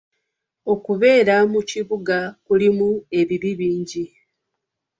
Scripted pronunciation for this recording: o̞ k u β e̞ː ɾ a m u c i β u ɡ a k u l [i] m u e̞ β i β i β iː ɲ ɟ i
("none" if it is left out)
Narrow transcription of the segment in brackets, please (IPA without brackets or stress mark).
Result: i